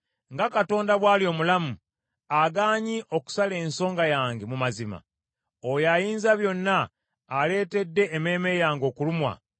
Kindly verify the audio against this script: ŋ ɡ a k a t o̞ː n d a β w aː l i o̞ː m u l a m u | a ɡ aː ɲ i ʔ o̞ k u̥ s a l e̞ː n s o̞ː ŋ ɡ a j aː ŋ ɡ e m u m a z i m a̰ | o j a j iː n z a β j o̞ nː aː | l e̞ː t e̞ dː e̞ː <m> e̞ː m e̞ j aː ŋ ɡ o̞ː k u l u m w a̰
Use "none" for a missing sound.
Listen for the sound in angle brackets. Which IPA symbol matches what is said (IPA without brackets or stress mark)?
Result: m